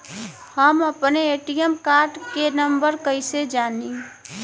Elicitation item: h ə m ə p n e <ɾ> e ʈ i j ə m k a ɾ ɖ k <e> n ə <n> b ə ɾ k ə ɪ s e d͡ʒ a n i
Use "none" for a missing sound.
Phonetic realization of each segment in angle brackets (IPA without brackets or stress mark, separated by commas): none, e, m